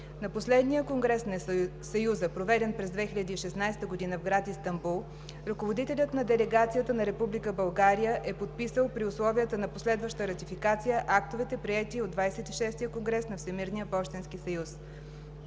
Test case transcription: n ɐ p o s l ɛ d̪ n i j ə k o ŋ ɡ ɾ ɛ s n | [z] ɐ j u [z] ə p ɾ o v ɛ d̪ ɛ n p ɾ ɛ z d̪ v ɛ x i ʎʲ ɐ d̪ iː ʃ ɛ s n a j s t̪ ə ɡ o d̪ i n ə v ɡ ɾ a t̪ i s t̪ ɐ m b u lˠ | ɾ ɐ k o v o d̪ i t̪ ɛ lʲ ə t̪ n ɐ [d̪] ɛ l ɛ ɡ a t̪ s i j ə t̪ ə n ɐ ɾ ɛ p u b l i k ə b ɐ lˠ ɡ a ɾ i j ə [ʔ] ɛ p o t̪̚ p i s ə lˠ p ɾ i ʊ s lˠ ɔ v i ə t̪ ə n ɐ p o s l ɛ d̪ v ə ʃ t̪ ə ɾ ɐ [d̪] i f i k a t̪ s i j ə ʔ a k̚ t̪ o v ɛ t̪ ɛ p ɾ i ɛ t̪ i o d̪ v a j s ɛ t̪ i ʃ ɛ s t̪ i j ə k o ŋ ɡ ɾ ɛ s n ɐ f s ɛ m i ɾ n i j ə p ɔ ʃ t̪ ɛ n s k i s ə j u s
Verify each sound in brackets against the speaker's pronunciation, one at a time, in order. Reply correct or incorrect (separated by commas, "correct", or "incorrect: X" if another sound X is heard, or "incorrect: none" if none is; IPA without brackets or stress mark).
incorrect: s, correct, correct, correct, incorrect: t̪